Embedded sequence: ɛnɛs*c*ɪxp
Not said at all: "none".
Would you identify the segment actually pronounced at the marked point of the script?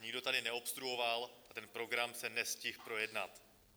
c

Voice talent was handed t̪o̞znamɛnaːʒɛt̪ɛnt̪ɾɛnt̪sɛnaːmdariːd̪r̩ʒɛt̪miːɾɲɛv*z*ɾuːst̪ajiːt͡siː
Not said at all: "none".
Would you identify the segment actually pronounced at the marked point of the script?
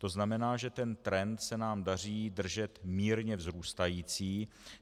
z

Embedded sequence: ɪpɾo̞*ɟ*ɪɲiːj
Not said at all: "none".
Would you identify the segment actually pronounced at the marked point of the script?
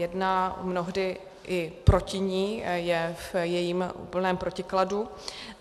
c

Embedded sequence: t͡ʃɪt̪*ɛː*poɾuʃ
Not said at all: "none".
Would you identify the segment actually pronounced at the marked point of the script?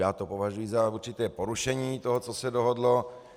ɛː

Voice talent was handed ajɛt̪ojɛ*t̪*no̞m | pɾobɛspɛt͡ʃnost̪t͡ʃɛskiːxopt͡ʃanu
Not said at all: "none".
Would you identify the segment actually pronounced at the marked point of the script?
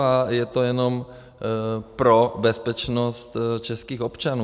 none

